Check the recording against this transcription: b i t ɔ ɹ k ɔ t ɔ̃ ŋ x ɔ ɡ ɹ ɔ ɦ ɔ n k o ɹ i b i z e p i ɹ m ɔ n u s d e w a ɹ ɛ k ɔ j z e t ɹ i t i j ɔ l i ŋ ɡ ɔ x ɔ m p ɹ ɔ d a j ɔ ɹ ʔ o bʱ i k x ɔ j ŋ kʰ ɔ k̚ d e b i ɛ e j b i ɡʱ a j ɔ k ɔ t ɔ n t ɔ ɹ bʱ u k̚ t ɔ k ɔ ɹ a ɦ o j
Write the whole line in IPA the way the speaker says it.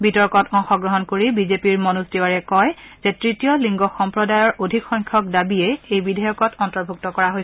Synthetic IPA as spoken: b i t ɔ ɹ k ɔ t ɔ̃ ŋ x ɔ ɡ ɹ ɔ ɦ ɔ n k o ɹ i b i z e p i ɹ m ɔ n u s d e w a ɹ ɛ k ɔ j z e t ɹ i t i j ɔ l i ŋ ɡ ɔ x ɔ m p ɹ ɔ d a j ɔ ɹ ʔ o dʱ i k x ɔ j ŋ kʰ ɔ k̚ d a b i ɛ e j b i dʱ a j ɔ k ɔ t ɔ n t ɔ ɹ bʱ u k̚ t ɔ k ɔ ɹ a ɦ o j